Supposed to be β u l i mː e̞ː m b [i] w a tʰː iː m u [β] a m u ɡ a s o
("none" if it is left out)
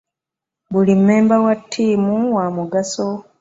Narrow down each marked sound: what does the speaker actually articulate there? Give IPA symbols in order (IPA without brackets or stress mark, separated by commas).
a, w